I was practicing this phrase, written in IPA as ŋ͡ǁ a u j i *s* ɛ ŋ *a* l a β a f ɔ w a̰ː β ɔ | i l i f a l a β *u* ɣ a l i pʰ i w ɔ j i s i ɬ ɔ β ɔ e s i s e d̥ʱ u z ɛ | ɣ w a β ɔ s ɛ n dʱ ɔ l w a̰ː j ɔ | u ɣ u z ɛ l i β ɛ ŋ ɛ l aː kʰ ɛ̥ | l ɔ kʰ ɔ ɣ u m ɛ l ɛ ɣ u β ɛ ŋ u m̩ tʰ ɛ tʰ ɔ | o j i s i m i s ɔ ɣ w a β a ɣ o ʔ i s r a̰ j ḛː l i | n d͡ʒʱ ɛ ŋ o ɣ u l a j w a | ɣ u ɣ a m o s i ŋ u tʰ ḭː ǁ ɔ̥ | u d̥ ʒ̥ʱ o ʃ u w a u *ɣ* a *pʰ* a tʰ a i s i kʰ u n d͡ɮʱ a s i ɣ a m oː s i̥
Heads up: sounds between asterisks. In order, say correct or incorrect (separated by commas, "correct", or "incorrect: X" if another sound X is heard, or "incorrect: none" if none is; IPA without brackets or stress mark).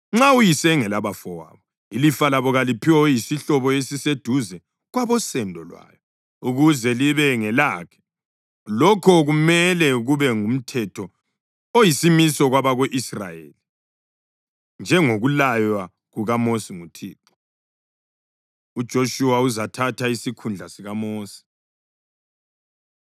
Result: correct, incorrect: ɛ, incorrect: ɔ, incorrect: z, incorrect: tʰ